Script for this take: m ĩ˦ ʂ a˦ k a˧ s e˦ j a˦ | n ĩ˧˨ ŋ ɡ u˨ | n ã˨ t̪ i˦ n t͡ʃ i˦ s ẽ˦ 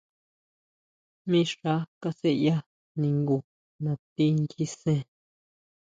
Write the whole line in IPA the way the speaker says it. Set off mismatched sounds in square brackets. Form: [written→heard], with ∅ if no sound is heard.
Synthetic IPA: m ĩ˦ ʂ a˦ k a˧ s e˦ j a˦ | n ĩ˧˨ ŋ ɡ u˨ | n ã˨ t̪ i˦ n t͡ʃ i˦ s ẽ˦